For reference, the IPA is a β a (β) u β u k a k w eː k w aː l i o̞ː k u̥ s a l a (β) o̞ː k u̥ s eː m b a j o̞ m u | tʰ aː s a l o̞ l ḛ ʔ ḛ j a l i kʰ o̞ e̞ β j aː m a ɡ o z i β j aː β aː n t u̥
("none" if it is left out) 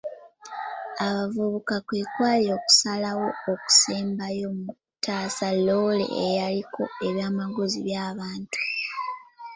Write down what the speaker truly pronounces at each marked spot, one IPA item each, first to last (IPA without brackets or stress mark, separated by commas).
v, w